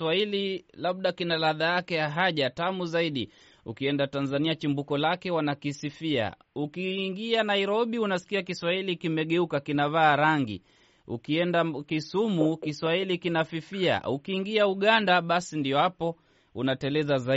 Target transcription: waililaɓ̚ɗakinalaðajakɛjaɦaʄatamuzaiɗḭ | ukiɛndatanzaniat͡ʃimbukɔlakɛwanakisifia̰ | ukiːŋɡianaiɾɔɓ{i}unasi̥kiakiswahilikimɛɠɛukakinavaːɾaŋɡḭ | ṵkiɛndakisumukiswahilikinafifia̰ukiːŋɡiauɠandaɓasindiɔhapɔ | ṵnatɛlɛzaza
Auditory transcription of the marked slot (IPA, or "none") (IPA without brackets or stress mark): i